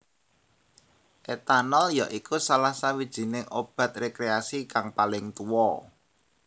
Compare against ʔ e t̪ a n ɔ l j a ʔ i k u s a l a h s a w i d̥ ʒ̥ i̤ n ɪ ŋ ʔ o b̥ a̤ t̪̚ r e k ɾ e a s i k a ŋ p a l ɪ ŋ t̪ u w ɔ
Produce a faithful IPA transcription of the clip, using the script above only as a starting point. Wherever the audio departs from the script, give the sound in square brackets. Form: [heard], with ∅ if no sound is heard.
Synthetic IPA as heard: ʔ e t̪ a n ɔ l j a ʔ i k u s a l a h s a w i d̥ ʒ̥ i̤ n ɪ ŋ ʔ o b̥ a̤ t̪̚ r e k ɾ e a s i k a ŋ p a l ɪ ŋ t̪ u w ɔ